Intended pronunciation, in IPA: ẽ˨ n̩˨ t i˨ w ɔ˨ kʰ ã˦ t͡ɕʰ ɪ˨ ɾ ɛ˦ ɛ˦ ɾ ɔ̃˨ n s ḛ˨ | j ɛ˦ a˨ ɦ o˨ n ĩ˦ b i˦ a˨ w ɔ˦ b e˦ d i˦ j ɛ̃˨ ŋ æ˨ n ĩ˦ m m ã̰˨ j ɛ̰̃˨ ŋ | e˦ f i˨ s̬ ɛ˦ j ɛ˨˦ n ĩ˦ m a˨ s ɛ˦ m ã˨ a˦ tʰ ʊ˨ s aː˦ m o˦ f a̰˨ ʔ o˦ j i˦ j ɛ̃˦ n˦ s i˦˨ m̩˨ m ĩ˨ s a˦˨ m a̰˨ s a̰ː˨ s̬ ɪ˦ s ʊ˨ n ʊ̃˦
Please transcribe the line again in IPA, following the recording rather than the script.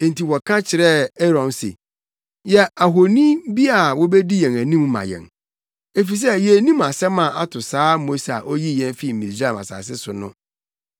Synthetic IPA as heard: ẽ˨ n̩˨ t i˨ w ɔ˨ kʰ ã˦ t͡ɕʰ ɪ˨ ɾ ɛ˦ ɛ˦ ɾ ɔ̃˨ n s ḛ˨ | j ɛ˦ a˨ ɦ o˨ n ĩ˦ b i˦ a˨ w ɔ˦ b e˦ d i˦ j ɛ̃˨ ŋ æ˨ n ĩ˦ m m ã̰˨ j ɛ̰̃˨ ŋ | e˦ f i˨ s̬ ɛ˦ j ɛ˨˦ n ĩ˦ m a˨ s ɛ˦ m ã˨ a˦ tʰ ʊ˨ s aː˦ m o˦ s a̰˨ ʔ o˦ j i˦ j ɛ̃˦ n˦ f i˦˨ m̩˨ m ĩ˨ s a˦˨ m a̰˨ s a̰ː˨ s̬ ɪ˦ s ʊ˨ n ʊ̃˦

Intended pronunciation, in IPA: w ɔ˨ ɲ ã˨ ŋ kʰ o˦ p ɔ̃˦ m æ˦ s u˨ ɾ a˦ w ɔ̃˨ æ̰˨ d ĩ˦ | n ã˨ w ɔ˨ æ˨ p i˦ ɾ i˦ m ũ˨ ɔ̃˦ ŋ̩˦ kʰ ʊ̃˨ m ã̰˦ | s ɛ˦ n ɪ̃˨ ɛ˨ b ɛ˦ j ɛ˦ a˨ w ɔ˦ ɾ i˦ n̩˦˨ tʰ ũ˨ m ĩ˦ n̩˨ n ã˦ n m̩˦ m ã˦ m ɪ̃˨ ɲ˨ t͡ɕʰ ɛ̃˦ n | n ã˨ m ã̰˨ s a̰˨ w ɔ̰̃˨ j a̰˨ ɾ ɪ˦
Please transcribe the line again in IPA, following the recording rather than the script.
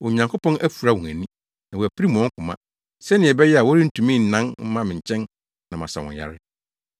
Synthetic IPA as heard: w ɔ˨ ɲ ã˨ ŋ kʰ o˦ p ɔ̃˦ n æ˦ f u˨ ɾ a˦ w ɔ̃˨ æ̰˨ n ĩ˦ | n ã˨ w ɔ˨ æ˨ p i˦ ɾ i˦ m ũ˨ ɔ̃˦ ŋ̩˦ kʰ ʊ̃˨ m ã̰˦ | s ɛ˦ n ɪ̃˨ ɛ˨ b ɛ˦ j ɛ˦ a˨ w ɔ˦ ɾ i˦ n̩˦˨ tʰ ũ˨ m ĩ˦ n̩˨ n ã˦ n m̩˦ m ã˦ m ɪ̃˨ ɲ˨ t͡ɕʰ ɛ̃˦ n | n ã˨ m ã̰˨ s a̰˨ w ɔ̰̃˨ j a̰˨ ɾ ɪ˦

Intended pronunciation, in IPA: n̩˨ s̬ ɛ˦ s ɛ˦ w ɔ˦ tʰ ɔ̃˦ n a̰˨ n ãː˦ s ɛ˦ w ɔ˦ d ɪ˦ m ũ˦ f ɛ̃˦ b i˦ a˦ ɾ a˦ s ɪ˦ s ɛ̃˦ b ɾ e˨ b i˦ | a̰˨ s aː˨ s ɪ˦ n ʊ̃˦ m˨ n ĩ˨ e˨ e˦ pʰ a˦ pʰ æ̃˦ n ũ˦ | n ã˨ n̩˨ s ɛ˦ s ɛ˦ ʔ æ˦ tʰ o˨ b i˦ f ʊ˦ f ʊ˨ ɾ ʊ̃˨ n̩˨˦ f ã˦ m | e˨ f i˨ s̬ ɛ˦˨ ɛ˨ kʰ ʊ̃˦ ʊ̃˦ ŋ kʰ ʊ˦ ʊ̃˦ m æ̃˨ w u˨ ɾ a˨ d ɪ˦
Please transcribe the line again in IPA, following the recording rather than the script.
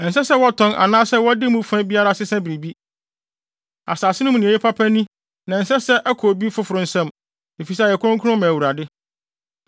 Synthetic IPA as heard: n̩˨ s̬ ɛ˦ s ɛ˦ w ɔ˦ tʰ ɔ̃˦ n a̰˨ n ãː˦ s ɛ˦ w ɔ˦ d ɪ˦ m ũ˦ f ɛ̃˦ b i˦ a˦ ɾ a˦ s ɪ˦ s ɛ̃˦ b ɾ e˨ b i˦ | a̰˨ s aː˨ s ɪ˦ n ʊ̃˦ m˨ n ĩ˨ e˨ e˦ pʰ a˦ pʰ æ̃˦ n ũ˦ | n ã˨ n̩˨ s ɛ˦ s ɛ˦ ʔ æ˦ kʰ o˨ b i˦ f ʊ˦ f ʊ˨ ɾ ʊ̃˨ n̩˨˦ s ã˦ m | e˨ f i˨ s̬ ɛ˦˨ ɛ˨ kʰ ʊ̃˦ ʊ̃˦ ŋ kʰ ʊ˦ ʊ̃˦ m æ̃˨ w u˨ ɾ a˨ d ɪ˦

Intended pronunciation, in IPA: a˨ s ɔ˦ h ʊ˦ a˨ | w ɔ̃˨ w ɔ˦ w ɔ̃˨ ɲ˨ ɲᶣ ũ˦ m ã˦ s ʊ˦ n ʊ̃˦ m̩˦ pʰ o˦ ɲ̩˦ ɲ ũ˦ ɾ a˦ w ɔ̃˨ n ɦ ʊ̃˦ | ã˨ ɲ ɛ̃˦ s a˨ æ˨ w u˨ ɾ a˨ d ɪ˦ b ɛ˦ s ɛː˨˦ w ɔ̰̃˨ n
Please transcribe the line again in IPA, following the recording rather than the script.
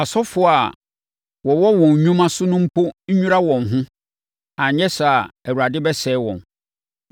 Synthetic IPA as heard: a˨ s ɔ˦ f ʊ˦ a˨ | w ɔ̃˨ w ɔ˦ w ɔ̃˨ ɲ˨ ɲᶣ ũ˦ m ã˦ s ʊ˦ n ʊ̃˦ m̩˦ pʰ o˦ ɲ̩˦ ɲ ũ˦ ɾ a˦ w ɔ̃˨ n ɦ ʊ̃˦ | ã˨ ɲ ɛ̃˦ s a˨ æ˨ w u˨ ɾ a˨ d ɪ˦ b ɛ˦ s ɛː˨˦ w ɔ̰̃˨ n

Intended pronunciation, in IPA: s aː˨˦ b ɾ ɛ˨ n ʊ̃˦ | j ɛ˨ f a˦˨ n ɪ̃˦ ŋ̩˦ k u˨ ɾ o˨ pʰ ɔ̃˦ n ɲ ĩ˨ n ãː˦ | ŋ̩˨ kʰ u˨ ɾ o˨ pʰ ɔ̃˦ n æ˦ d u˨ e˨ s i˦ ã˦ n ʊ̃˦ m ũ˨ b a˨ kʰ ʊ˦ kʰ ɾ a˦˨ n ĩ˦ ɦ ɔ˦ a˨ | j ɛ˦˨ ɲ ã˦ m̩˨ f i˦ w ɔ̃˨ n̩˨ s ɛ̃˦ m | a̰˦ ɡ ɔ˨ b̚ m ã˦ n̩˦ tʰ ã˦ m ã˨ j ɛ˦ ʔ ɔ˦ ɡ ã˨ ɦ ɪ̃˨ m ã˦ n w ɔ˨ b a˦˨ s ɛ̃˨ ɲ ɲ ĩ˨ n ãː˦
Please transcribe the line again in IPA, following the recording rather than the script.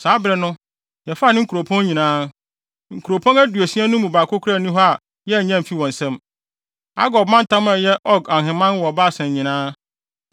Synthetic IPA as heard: s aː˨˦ b ɾ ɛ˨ n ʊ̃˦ | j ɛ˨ f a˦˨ n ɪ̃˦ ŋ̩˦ k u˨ ɾ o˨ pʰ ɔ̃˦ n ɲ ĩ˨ n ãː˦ | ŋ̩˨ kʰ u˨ ɾ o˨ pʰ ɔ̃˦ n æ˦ d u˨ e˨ s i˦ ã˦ n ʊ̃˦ m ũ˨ b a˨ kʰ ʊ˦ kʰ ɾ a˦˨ n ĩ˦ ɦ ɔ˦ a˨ | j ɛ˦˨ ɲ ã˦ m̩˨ f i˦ w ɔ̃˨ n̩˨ s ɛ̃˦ m | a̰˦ ɡ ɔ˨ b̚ m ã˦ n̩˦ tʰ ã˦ m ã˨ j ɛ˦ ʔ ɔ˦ ɡ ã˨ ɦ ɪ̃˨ m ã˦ n w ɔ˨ b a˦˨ s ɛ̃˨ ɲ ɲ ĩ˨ n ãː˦

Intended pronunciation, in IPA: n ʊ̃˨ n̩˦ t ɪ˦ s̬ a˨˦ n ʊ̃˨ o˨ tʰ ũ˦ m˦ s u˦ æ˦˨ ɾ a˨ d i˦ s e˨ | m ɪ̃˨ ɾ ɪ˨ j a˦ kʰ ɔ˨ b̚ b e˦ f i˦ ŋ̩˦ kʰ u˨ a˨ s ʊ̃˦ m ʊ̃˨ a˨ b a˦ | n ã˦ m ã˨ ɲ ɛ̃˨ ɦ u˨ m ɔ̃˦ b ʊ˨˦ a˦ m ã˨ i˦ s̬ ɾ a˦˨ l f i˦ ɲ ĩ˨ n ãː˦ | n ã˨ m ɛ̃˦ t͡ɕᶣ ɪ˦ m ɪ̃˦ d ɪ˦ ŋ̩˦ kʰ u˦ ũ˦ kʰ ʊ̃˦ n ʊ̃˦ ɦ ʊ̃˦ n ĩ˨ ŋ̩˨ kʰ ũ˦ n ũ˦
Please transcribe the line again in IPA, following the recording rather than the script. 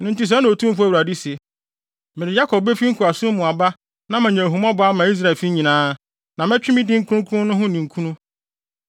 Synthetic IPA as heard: n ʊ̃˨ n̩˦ t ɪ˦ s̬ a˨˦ n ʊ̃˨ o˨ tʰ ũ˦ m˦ f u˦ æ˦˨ ɾ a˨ d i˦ s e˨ | m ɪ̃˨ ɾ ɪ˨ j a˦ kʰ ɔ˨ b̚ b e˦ f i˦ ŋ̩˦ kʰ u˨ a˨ s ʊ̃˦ m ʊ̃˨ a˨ b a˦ | n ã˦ m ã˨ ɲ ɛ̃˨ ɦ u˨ m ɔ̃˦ b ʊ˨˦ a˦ m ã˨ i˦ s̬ ɾ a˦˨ l f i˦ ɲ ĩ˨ n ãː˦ | n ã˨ m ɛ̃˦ t͡ɕᶣ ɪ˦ m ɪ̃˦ d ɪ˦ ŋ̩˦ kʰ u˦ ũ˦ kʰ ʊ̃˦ n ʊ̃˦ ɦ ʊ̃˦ n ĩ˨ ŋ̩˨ kʰ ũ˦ n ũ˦

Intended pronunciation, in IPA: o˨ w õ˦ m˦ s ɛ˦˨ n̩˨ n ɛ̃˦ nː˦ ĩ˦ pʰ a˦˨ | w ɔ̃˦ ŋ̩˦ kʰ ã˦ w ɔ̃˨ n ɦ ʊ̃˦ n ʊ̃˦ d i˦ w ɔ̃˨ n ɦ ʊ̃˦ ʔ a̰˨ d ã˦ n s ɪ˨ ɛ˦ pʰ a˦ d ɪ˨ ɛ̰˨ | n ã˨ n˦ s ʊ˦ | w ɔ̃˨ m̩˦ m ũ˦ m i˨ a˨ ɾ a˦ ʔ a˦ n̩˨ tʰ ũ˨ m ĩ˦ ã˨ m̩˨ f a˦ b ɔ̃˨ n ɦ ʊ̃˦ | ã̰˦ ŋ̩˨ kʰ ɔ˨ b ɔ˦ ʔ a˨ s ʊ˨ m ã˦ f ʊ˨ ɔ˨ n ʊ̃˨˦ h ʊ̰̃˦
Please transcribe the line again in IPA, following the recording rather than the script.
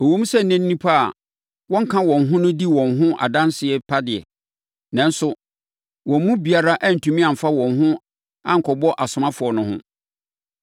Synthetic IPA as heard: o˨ w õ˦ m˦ s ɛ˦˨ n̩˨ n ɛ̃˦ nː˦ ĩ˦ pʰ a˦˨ | w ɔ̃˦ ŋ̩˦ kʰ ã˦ w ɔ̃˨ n ɦ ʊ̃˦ n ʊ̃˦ d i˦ w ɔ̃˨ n ɦ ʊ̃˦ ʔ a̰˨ d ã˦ n s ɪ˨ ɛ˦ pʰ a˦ d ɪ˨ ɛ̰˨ | n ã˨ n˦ s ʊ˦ | w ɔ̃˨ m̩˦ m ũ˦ b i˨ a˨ ɾ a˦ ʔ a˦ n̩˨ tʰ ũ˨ m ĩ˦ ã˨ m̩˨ f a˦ w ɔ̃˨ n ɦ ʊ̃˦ | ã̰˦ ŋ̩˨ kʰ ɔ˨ b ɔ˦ ʔ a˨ s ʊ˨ m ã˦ f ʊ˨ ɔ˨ n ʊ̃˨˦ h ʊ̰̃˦

